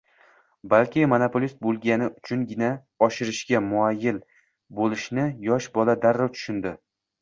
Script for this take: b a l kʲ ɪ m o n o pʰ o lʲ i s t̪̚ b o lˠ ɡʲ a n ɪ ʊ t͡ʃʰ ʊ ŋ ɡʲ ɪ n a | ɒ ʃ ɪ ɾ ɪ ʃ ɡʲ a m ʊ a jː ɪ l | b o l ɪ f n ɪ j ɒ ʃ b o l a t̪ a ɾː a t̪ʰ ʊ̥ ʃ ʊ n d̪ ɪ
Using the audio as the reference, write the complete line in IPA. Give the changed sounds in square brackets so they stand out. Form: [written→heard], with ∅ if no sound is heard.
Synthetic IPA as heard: b a l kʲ ɪ m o n o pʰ o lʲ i s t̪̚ b o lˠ ɡʲ a n ɪ ʊ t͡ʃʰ ʊ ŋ ɡʲ ɪ n a | ɒ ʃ ɪ ɾ ɪ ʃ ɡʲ a m ʊ a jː ɪ l | b o l ɪ [f→ʃ] n ɪ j ɒ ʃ b [o→ɒ] l a [t̪→d̪] a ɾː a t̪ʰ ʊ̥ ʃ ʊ n d̪ ɪ